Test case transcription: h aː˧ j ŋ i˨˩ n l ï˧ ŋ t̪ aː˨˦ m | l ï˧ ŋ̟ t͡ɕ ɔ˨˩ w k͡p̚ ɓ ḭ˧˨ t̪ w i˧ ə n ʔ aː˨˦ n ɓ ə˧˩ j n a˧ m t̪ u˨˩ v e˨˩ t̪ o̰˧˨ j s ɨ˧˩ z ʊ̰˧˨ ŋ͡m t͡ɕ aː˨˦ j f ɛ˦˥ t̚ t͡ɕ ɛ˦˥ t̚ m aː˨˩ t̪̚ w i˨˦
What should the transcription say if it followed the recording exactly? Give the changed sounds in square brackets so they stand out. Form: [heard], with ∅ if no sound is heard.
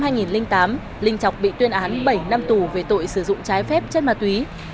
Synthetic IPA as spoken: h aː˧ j ŋ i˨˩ n l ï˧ ŋ t̪ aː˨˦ m | l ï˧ ŋ̟ t͡ɕ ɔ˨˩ w k͡p̚ ɓ ḭ˧˨ t̪ w i˧ ə n ʔ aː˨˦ n ɓ ə˧˩ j n a˧ m t̪ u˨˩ v e˨˩ t̪ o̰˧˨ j s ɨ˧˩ z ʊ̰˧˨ ŋ͡m t͡ɕ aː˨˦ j f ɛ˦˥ [p̚] t͡ɕ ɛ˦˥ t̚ m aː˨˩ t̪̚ w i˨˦